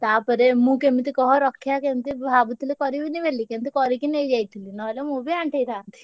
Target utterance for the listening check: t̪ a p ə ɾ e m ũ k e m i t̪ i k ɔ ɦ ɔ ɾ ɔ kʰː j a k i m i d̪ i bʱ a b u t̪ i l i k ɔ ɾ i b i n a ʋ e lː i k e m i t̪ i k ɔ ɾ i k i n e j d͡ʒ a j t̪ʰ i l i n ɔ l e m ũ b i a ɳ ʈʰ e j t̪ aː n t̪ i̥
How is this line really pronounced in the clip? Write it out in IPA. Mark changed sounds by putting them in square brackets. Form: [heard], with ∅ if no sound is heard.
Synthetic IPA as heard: t̪ a p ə ɾ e m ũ k e m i t̪ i k ɔ ɦ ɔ ɾ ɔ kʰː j a k [e] m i [t̪] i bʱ a b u t̪ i l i k ɔ ɾ i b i n [i] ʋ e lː i k e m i t̪ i k ɔ ɾ i k i n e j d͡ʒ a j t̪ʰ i l i n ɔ l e m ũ b i a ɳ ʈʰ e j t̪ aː n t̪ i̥